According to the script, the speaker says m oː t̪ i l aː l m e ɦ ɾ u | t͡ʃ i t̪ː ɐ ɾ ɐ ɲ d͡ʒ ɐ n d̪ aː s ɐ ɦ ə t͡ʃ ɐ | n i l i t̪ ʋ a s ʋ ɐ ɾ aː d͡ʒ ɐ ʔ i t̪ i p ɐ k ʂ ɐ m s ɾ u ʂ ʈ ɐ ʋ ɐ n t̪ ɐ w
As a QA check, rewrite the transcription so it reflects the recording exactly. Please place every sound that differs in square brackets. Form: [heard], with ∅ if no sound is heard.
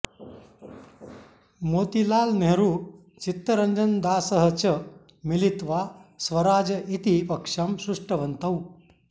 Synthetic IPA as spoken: m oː t̪ i l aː l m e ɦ ɾ u | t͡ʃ i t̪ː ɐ ɾ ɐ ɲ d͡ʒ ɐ n d̪ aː s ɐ ɦ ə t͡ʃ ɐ | [m] i l i t̪ ʋ a s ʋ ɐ ɾ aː d͡ʒ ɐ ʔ i t̪ i p ɐ k ʂ ɐ m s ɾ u ʂ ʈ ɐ ʋ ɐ n t̪ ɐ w